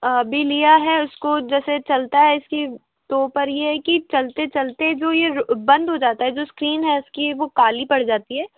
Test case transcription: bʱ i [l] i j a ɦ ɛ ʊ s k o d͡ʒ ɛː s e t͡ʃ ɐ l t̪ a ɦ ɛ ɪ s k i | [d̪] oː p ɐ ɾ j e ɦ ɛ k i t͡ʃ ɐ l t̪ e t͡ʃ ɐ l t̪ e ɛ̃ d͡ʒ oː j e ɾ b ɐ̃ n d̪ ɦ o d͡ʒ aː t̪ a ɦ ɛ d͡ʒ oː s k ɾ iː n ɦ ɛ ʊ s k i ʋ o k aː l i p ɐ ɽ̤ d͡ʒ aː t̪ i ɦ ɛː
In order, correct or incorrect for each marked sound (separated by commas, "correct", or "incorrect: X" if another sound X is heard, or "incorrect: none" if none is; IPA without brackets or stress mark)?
correct, incorrect: t̪